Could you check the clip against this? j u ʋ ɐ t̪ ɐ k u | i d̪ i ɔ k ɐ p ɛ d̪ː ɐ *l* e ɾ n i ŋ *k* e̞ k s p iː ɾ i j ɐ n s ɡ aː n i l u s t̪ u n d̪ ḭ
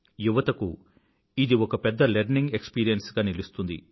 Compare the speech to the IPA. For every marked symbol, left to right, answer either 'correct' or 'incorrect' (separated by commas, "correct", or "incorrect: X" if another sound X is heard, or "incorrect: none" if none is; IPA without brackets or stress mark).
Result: correct, incorrect: ɡ